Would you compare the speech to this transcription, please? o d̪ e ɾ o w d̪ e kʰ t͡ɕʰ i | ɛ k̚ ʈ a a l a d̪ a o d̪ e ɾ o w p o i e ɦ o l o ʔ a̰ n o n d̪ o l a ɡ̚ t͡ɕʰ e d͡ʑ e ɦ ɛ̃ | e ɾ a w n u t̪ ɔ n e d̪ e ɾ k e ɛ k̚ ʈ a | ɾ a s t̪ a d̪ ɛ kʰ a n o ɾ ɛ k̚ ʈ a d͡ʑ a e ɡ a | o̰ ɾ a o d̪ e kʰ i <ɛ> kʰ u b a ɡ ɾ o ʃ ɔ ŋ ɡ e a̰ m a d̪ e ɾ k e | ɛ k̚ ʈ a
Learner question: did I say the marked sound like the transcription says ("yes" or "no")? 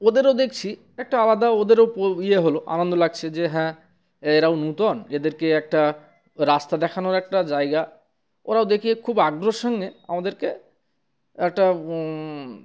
no